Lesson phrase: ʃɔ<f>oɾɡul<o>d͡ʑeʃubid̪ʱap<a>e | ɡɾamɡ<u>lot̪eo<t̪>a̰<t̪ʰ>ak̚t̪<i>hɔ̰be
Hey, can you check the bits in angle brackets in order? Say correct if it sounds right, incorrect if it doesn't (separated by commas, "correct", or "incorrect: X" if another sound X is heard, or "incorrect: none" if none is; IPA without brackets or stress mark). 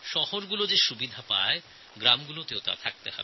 incorrect: h, correct, correct, correct, correct, correct, incorrect: e